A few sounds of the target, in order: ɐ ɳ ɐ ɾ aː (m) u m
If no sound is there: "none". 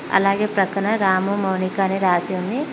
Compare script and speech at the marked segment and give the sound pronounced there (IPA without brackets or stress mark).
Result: m